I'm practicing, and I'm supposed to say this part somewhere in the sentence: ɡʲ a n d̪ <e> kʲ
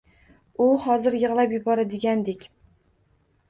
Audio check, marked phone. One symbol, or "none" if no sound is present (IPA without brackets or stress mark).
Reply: e